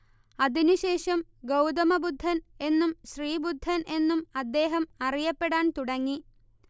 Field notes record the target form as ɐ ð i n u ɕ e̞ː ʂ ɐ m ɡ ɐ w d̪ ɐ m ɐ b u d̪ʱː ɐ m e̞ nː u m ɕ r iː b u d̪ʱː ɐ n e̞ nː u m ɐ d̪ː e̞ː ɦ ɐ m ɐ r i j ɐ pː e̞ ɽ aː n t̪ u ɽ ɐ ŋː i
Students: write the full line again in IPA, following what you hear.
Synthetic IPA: ɐ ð i n u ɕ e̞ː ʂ ɐ m ɡ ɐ w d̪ ɐ m ɐ b u d̪ʱː ɐ n e̞ nː u m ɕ r iː b u d̪ʱː ɐ n e̞ nː u m ɐ d̪ː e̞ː ɦ ɐ m ɐ r i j ɐ pː e̞ ɽ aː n t̪ u ɽ ɐ ŋː i